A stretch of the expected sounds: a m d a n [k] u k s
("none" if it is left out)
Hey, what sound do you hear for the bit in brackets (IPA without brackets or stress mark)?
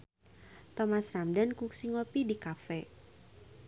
k